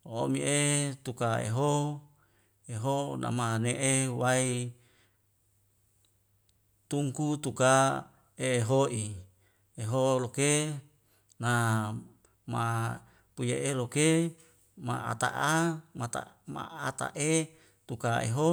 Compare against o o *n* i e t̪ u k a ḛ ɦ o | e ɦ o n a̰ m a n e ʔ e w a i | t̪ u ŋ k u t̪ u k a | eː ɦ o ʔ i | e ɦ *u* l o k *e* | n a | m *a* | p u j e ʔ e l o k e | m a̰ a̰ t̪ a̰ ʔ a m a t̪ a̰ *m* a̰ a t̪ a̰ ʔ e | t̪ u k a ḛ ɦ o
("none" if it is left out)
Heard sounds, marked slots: m, o, e, a, m

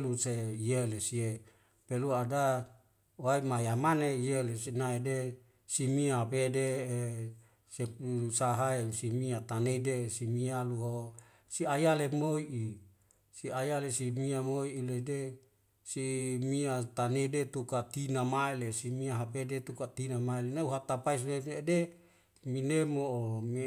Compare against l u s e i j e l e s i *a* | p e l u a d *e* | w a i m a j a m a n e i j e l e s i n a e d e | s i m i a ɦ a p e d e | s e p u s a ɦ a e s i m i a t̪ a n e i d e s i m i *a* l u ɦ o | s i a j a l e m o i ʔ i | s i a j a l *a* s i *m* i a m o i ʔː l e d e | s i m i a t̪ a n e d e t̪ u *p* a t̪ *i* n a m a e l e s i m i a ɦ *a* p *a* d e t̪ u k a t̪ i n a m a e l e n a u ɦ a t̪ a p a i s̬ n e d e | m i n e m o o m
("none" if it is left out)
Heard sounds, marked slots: e, a, a, e, m, k, i, a, e

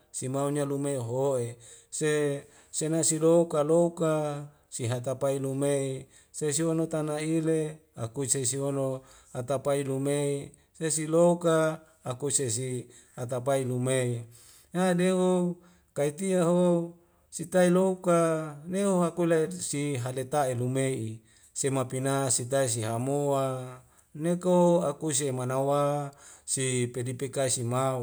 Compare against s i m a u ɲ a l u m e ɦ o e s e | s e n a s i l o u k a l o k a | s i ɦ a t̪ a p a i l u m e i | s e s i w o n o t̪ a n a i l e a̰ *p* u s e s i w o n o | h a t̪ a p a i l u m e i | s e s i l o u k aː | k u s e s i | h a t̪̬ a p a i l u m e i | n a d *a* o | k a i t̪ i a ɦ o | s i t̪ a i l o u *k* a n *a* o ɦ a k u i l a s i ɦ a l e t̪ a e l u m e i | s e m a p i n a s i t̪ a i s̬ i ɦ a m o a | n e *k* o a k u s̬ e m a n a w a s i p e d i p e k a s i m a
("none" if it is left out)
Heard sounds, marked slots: k, e, k, e, k

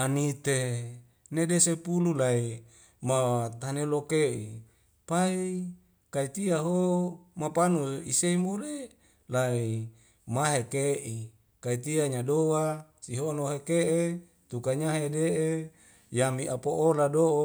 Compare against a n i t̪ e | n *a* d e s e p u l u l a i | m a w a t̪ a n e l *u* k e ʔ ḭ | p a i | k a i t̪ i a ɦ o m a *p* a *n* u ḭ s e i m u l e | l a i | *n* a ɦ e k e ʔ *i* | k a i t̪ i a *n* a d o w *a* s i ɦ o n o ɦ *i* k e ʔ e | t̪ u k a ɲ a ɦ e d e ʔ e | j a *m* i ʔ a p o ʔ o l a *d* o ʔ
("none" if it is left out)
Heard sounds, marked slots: e, o, p, n, m, i, ɲ, a, e, m, d

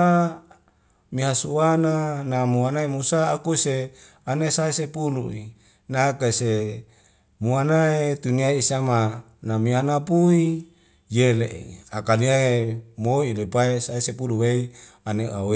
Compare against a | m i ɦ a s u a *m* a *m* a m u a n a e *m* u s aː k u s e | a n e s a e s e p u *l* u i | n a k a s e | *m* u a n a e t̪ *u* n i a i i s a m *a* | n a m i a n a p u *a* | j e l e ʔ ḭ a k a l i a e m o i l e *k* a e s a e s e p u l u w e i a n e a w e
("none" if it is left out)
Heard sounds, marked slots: n, n, m, l, m, u, a, i, p

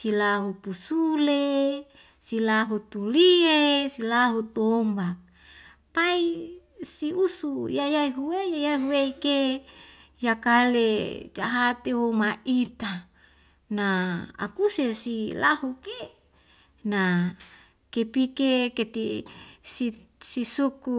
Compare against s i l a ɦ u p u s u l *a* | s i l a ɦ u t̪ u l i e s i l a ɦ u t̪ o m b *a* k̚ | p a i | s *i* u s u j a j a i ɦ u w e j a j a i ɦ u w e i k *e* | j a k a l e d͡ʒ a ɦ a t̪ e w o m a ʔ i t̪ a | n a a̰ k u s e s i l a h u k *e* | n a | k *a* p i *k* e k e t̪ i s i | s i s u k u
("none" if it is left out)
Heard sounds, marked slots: e, a, i, e, e, e, k

